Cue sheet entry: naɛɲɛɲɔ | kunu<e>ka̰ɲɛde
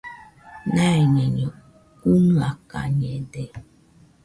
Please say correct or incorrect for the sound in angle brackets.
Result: incorrect